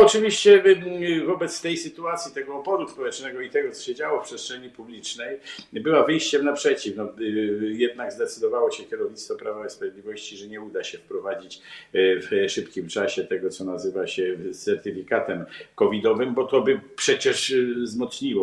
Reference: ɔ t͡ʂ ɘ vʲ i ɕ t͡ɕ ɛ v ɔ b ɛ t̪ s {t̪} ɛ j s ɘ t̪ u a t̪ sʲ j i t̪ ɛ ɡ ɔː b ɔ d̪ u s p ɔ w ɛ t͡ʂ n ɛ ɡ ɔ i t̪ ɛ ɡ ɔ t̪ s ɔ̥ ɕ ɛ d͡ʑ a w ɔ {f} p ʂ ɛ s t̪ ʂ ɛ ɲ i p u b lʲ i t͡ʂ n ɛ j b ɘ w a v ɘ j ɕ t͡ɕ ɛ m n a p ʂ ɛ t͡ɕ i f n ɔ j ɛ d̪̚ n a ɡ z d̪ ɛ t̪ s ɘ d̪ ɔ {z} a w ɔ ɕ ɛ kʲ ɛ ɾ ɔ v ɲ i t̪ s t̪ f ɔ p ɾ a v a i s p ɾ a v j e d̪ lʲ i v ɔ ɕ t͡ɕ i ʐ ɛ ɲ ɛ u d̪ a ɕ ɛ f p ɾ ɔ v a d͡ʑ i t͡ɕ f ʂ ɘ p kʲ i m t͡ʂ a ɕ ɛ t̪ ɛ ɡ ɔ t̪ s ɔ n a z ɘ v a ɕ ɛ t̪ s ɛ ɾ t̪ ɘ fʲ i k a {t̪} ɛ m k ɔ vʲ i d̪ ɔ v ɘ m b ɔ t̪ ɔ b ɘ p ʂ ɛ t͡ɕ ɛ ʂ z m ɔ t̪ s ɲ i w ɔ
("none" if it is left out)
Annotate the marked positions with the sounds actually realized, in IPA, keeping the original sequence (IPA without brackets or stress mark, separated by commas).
t̪, f, v, t̪